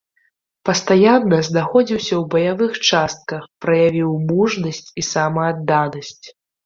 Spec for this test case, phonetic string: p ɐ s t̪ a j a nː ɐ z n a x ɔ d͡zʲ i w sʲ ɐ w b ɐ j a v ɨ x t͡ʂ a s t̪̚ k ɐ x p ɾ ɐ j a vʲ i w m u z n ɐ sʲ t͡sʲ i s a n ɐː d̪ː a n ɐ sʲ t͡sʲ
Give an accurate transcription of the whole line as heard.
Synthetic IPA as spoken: p ɐ s t̪ a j a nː ɐ z n a x ɔ d͡zʲ i w sʲ ɐ w b ɐ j a v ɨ x t͡ʂ a s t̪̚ k ɐ x p ɾ ɐ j a vʲ i w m u ʐ n ɐ sʲ t͡sʲ i s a m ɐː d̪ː a n ɐ sʲ t͡sʲ